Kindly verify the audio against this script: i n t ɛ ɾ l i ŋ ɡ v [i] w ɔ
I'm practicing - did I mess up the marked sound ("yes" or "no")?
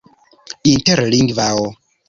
yes